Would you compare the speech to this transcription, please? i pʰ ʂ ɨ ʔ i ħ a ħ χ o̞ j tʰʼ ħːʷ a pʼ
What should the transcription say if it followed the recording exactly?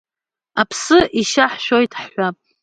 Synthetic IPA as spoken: a pʰ s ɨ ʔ i ʃ a ħ ʃ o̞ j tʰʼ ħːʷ a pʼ